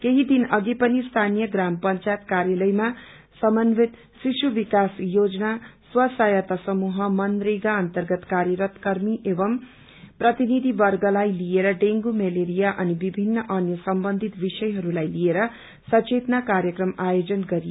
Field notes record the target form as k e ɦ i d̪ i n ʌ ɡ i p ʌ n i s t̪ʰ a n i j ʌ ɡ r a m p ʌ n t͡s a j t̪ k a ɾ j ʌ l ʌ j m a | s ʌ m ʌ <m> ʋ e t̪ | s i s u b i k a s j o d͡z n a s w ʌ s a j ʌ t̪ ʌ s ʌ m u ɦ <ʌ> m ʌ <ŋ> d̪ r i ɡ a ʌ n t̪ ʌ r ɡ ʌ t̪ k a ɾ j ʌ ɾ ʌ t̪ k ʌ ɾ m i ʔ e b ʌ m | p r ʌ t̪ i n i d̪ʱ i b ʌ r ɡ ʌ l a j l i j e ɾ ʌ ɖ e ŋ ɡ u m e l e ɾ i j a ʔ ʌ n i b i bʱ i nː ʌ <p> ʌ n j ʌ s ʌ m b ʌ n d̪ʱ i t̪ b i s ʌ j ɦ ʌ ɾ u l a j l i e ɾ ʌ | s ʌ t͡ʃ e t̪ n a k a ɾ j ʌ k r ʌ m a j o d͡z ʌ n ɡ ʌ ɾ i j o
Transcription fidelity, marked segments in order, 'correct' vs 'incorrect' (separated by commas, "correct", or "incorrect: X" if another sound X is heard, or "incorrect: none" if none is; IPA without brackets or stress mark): incorrect: n, correct, incorrect: n, incorrect: ʔ